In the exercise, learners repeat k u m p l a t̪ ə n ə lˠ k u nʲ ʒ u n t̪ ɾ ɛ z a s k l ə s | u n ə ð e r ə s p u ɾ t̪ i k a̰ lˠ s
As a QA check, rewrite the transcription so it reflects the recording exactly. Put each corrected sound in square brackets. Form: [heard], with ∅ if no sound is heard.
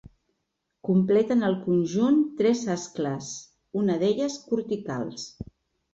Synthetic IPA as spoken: k u m p l [ɛ] t̪ ə n ə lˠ k u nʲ ʒ u n t̪ ɾ ɛ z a s k l ə s | u n ə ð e [ʎ] ə s [k] u ɾ t̪ i k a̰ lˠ s